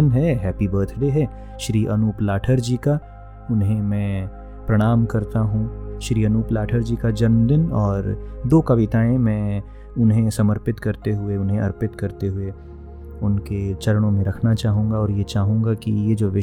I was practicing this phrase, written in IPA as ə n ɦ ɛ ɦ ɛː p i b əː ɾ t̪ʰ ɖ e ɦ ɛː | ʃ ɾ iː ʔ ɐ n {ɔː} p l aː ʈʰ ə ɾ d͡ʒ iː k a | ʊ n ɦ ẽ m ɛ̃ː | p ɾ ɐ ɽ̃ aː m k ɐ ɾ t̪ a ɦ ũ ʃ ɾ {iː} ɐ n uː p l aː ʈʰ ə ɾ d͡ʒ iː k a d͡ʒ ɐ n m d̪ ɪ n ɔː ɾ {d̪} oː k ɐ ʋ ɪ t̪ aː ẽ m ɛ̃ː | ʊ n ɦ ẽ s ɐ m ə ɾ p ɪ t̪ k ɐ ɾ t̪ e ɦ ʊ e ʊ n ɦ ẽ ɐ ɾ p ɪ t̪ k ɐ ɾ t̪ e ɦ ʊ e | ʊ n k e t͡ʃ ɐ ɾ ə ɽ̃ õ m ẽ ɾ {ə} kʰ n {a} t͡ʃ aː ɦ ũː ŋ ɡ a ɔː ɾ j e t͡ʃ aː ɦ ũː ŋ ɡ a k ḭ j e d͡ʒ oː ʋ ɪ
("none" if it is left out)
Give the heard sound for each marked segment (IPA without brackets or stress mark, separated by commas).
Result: uː, iː, d̪, ɐ, a